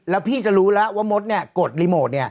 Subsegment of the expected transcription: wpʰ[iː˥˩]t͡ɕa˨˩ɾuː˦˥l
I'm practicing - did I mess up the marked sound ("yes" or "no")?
no